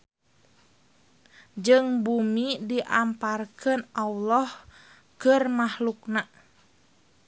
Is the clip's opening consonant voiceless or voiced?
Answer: voiced